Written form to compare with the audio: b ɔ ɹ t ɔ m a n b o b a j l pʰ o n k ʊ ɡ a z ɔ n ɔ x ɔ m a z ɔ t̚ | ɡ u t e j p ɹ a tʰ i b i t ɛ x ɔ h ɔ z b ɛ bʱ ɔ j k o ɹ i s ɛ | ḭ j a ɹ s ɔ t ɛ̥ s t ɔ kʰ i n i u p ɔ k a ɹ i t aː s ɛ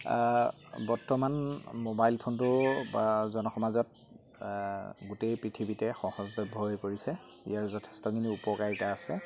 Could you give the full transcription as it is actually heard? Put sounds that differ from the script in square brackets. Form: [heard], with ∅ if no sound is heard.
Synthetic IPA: b ɔ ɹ t ɔ m a n [m] o b a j l pʰ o n [t] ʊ [b] a z ɔ n ɔ x ɔ m a z ɔ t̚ | ɡ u t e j p ɹ [i] tʰ i b i t ɛ x ɔ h ɔ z b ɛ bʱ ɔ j k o ɹ i s ɛ | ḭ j a ɹ [z] ɔ [tʰ] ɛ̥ s t ɔ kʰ i n i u p ɔ k a ɹ i t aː s ɛ